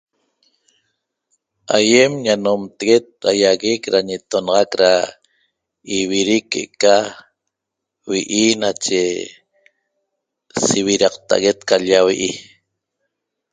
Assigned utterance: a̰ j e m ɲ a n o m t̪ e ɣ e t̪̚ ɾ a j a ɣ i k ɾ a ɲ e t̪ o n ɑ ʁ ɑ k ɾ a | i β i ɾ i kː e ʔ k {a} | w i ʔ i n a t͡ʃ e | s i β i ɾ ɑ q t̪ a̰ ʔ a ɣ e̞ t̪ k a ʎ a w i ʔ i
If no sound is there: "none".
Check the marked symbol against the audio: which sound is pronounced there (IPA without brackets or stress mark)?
a